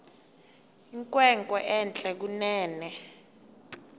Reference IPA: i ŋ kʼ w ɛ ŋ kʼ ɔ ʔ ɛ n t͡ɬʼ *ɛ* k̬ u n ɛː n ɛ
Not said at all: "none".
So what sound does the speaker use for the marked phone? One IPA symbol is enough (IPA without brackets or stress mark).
ɛ